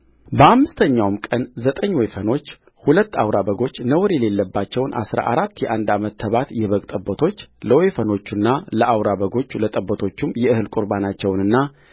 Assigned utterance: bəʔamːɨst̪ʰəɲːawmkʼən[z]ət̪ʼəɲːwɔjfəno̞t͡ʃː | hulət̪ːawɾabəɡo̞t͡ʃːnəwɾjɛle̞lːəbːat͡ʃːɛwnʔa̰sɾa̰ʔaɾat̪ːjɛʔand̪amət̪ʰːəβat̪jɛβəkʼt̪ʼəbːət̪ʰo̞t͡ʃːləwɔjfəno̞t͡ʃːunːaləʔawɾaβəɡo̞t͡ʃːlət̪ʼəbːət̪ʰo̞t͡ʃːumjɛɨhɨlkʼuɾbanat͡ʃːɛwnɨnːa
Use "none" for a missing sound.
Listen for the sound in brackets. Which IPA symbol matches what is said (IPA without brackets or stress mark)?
z